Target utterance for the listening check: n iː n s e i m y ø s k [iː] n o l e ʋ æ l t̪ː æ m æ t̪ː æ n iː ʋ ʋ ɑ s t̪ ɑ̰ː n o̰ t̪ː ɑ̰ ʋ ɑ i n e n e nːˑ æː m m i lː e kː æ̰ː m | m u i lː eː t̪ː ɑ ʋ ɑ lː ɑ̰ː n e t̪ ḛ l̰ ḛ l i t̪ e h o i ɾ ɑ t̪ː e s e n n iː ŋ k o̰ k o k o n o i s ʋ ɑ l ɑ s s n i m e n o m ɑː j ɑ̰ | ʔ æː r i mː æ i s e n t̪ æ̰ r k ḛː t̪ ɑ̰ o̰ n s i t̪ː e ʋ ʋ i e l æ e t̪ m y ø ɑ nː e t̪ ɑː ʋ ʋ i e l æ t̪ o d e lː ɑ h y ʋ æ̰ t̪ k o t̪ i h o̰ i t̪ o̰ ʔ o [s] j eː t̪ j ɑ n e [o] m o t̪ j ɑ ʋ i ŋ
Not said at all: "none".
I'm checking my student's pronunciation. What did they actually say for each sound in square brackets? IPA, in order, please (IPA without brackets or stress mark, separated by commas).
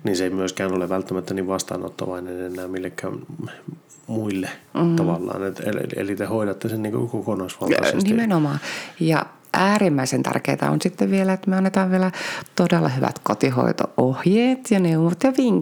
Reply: æː, h, u